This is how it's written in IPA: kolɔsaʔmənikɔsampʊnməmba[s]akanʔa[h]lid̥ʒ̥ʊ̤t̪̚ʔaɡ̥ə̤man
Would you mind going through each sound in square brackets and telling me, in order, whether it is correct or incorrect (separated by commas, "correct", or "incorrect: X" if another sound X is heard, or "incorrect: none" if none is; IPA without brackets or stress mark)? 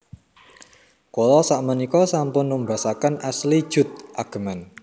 correct, incorrect: s